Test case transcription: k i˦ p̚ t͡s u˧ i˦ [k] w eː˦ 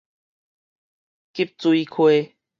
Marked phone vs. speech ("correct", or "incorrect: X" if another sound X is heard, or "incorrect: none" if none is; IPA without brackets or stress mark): incorrect: kʰ